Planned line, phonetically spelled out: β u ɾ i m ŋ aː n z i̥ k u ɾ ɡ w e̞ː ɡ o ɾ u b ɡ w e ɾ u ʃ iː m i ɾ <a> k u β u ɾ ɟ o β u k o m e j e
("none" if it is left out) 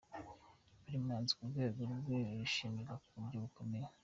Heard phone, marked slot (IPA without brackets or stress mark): a